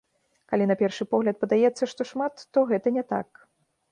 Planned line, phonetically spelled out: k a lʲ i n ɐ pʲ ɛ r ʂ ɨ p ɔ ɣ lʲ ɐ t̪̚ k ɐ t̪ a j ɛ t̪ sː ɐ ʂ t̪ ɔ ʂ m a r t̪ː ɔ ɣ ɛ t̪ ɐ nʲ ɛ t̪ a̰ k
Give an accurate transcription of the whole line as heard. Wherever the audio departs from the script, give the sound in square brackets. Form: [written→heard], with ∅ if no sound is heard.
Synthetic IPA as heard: k a lʲ i n ɐ pʲ ɛ r ʂ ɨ p ɔ ɣ lʲ ɐ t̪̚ [k→p] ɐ [t̪→d̪] a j ɛ t̪ sː ɐ ʂ t̪ ɔ ʂ m a [r→∅] t̪ː ɔ ɣ ɛ t̪ ɐ nʲ ɛ t̪ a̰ k